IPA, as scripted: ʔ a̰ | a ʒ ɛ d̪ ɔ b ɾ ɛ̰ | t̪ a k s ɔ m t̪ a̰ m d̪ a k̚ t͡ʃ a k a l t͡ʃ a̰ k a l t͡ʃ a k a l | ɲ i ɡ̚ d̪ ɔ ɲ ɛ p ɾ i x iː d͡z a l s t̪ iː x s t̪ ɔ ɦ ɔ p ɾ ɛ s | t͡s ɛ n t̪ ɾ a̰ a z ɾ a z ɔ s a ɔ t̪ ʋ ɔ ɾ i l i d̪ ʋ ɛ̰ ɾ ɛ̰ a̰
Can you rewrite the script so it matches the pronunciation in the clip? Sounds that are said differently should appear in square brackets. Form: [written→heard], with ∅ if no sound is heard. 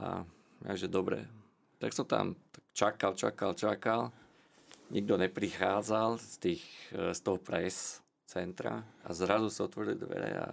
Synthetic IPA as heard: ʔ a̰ | a ʒ ɛ d̪ ɔ b ɾ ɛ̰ | t̪ a k s ɔ m t̪ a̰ m [d̪→t̪] a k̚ t͡ʃ a k a l t͡ʃ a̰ k a l t͡ʃ a k a l | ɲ i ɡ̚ d̪ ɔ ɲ ɛ p ɾ i x [iː→aː] d͡z a l s t̪ iː x s t̪ ɔ ɦ ɔ p ɾ ɛ s | t͡s ɛ n t̪ ɾ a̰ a z ɾ a z [ɔ→u] s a ɔ t̪ ʋ ɔ ɾ i l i d̪ ʋ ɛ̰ ɾ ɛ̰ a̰